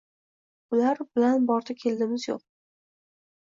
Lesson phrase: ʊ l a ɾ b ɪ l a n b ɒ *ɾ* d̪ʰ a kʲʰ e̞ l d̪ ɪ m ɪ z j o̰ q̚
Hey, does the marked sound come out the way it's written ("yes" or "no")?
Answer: yes